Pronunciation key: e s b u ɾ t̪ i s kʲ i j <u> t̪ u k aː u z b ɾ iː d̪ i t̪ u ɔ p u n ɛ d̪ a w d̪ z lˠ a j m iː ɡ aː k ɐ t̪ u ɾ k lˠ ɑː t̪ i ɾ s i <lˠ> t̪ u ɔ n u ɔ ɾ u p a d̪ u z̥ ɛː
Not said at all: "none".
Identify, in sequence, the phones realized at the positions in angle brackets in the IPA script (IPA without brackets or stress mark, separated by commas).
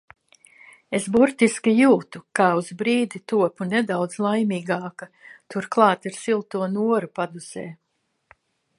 uː, lˠ